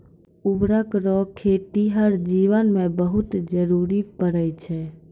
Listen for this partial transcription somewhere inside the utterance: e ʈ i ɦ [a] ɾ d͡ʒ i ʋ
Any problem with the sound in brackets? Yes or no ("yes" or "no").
yes